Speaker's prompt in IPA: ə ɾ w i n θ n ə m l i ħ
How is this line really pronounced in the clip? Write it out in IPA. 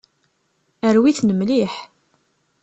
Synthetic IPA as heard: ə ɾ w i θ n ə m l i ħ